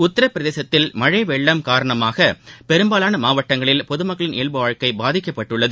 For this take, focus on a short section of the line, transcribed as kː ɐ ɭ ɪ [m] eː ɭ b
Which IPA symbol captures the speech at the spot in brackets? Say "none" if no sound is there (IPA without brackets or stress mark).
n